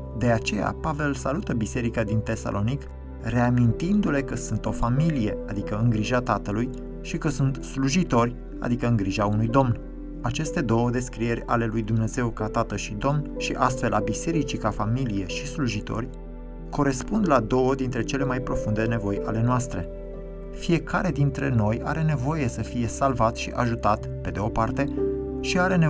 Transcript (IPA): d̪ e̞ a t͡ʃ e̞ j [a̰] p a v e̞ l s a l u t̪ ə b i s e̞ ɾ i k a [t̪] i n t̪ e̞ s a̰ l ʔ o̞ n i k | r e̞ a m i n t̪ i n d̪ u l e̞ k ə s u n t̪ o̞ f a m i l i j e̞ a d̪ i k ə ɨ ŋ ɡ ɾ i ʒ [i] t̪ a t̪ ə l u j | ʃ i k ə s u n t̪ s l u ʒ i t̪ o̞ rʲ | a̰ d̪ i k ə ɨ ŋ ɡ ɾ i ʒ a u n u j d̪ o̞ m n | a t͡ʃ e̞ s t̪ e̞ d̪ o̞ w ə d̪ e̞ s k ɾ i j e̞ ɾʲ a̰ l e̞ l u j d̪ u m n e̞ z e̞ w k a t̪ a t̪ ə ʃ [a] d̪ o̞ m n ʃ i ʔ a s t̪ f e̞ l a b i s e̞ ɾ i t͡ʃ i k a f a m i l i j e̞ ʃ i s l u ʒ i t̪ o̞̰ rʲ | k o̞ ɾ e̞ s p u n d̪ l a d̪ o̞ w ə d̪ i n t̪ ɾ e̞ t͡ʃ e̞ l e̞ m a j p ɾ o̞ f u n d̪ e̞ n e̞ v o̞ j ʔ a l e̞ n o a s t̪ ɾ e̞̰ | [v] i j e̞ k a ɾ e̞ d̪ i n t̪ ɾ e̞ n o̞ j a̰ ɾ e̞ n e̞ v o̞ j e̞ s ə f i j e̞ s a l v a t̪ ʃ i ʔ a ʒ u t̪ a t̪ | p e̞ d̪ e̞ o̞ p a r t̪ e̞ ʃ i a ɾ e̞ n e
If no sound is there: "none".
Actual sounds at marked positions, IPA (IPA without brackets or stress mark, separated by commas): a̰, d̪, a, i, f